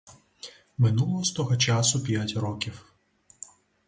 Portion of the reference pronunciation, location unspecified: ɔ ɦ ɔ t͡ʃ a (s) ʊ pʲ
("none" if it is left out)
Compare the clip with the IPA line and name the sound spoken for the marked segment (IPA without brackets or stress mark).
s